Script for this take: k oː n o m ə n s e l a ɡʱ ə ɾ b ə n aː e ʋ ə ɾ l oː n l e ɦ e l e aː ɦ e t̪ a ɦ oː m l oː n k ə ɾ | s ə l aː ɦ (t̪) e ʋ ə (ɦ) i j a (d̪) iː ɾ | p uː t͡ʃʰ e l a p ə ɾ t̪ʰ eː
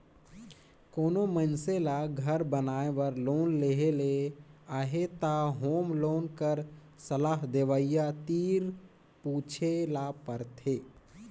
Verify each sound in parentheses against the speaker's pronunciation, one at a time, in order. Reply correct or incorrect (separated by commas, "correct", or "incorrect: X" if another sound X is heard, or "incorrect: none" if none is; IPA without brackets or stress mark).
incorrect: d̪, incorrect: none, incorrect: t̪